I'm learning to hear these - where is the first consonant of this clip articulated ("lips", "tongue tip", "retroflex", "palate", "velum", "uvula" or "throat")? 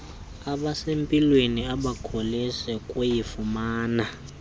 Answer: lips